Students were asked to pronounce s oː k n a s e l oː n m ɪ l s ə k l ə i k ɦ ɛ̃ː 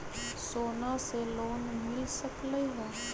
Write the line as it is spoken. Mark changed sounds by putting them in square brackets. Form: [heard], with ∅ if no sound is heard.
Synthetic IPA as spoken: s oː [∅] n a s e l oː n m ɪ l s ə k l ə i [∅] ɦ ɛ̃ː